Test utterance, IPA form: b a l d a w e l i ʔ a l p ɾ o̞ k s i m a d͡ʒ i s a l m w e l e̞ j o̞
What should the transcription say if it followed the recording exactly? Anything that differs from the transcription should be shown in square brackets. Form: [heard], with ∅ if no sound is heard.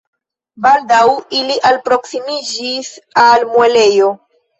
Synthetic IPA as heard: b a l d a w [i] l i ʔ a l p ɾ o̞ k s i m [i] d͡ʒ i s a l m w e l e̞ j o̞